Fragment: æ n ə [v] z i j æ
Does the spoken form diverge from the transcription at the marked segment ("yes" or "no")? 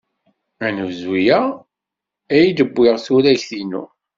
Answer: no